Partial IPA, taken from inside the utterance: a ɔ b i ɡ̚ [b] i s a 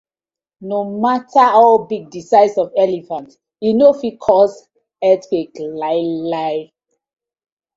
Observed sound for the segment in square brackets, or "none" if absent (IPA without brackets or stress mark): d